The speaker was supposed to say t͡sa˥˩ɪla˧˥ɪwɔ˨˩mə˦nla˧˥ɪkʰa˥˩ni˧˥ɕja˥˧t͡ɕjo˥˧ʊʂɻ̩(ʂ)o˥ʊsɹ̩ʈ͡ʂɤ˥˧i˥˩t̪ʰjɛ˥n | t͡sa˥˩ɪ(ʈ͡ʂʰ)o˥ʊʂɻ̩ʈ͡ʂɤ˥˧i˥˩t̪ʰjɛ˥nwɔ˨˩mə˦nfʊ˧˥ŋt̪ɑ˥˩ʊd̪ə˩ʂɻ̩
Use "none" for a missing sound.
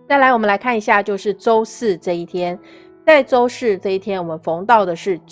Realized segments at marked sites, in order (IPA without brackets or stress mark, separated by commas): ʈ͡ʂ, ʈ͡ʂ